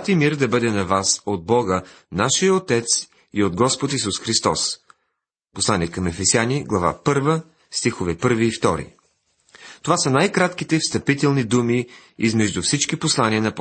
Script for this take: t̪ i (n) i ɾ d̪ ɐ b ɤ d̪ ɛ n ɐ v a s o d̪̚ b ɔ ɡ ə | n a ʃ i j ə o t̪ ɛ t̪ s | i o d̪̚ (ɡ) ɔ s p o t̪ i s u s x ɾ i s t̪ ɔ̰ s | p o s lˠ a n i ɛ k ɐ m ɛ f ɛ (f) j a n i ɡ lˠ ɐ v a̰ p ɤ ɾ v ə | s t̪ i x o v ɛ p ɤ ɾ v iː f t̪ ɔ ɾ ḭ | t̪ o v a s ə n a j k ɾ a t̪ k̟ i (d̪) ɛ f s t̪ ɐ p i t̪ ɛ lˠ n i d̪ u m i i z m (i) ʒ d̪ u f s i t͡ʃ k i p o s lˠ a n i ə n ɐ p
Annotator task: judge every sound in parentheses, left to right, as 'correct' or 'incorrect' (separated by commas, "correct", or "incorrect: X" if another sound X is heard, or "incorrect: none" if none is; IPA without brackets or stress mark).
incorrect: m, correct, incorrect: s, incorrect: t̪, incorrect: ɛ